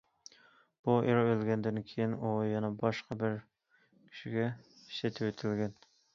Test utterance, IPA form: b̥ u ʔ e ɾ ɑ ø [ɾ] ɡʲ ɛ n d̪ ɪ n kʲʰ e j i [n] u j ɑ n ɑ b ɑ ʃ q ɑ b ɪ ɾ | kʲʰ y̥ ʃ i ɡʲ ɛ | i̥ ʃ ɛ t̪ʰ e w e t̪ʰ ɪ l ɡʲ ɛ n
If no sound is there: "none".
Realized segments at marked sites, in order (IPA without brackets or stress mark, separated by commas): l, n